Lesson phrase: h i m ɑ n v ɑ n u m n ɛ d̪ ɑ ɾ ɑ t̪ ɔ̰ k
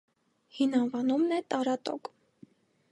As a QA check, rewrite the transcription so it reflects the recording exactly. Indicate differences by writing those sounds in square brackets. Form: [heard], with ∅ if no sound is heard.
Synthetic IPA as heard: h i [n] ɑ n v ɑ n u m n ɛ [t̪] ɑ ɾ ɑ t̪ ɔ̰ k